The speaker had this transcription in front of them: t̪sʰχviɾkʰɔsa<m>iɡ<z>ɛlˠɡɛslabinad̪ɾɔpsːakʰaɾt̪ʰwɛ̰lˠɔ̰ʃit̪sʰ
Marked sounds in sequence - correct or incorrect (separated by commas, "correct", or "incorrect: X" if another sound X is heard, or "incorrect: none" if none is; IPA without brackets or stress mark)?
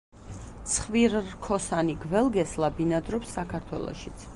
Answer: incorrect: n, incorrect: v